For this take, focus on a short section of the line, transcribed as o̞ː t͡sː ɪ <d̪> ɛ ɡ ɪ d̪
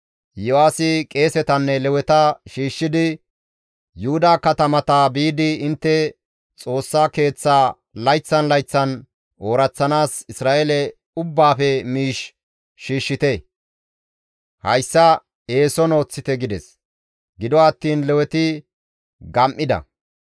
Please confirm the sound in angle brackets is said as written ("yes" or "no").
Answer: no